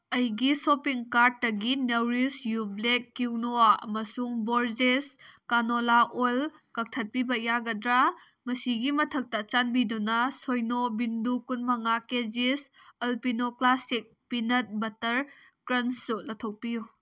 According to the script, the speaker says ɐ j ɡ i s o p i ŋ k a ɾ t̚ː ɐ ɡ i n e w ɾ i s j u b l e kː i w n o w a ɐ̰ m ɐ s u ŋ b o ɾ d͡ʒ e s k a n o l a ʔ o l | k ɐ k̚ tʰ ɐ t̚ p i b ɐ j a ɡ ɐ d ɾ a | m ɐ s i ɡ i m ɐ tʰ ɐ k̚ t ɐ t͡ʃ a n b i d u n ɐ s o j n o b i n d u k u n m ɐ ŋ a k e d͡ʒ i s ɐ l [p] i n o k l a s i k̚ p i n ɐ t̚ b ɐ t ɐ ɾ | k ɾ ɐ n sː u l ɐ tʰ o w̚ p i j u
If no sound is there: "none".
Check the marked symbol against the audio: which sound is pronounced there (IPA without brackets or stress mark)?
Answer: p